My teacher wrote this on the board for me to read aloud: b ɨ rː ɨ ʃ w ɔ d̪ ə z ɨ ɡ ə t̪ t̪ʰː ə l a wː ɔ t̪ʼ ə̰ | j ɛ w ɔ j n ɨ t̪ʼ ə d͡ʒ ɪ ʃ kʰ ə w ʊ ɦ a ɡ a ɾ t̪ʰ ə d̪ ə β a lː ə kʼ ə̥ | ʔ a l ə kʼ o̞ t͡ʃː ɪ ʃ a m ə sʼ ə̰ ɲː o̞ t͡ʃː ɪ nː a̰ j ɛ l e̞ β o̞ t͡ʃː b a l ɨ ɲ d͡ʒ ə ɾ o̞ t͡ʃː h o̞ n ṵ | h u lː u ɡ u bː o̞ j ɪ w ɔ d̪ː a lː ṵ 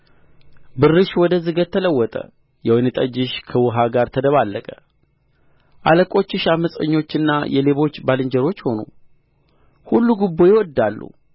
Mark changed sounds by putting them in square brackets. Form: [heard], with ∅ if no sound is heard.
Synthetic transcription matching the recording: b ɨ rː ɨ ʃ w ɔ d̪ ə z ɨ ɡ ə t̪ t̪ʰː ə l [ə] wː ɔ t̪ʼ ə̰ | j ɛ w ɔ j n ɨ t̪ʼ ə d͡ʒ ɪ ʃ kʰ ə w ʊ ɦ a ɡ a ɾ t̪ʰ ə d̪ ə β a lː ə kʼ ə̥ | ʔ a l ə kʼ o̞ t͡ʃː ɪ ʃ a m ə sʼ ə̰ ɲː o̞ t͡ʃː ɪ nː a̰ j ɛ l e̞ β o̞ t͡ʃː b a l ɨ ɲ d͡ʒ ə ɾ o̞ t͡ʃː h o̞ n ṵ | h u lː u ɡ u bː o̞ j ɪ w ɔ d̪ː a lː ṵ